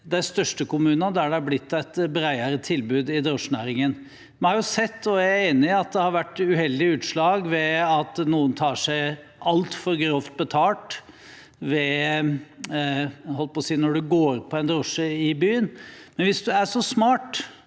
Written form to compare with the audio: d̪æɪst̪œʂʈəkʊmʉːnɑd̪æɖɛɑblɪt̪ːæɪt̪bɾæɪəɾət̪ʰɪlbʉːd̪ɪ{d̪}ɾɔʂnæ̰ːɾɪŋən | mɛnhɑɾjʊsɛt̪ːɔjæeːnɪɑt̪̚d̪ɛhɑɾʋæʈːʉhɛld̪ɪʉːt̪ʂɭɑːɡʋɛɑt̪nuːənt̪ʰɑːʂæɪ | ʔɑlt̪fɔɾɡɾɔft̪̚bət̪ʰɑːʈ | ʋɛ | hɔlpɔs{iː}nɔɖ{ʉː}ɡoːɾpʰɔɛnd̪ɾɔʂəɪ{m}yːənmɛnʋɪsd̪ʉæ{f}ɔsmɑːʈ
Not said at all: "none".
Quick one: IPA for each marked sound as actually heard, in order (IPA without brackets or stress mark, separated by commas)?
d̪, iː, ʉ, b, ʂ